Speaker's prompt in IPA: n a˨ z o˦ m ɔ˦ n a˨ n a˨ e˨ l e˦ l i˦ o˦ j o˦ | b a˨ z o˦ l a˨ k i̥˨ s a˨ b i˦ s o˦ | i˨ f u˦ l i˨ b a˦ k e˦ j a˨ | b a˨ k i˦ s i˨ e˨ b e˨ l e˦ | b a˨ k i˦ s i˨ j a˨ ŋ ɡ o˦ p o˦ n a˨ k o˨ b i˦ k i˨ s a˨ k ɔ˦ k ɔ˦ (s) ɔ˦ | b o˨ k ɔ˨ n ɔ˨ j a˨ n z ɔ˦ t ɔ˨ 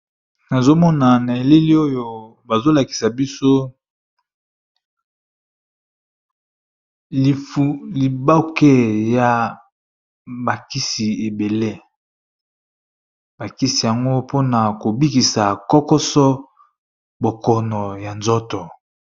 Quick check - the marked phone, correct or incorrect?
correct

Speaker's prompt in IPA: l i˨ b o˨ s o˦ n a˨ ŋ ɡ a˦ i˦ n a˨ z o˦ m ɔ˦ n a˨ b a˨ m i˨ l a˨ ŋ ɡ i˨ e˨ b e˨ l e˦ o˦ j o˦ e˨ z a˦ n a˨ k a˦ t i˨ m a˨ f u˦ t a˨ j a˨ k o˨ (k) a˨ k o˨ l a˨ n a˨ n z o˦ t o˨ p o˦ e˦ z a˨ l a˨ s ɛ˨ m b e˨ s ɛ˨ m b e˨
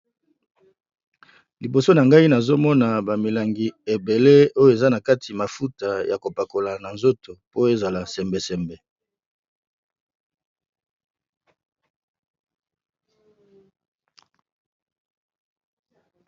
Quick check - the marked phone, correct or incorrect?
incorrect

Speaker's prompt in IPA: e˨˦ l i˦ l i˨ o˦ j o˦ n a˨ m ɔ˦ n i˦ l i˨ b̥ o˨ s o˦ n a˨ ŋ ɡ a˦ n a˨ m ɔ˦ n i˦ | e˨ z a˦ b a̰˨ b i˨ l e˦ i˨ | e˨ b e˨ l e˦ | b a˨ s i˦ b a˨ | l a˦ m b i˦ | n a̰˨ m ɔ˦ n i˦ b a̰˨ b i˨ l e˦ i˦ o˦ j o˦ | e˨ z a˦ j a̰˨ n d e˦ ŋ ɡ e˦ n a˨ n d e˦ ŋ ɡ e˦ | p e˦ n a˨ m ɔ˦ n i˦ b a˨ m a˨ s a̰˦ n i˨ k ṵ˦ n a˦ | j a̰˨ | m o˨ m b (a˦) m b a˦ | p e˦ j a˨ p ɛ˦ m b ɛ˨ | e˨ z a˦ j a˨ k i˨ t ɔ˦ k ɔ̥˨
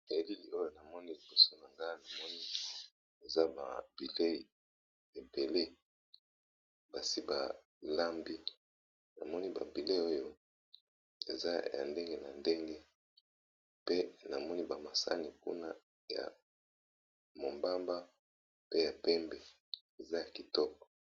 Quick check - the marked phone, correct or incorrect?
correct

